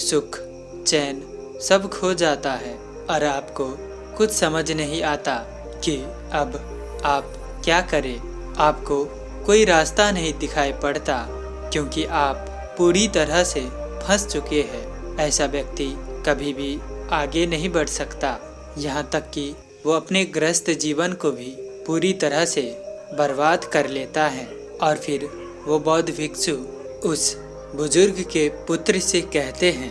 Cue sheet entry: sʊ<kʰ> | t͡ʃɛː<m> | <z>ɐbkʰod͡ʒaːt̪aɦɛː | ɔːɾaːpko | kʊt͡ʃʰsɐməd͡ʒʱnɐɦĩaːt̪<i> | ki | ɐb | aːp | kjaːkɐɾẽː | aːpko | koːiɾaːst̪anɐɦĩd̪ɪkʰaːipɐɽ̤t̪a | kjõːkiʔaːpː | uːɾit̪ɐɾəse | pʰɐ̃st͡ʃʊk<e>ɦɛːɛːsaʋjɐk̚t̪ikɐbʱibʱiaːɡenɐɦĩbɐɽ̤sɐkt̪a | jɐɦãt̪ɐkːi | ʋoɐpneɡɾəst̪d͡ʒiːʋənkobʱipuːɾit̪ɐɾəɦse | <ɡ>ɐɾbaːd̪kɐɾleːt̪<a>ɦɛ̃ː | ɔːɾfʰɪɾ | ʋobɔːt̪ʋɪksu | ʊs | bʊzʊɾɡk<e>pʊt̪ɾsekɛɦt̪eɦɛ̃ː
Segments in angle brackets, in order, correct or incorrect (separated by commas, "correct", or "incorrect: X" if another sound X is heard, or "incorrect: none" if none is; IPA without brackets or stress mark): correct, incorrect: n, incorrect: s, incorrect: a, correct, incorrect: b, correct, correct